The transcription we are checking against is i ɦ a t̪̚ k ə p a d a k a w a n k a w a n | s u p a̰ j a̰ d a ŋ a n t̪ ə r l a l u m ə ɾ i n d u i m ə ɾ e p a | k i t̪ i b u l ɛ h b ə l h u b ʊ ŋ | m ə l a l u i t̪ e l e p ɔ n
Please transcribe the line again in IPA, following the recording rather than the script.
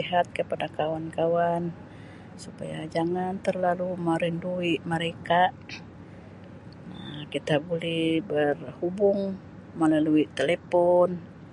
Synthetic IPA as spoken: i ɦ a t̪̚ k ə p a d a k a w a n k a w a n | s u p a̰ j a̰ d͡ʒ a ŋ a n t̪ ə r l a l u m ə ɾ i n d u i m ə ɾ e k a | k i t̪ a b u l ɛ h b ə r h u b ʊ ŋ | m ə l a l u i t̪ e l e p ɔ n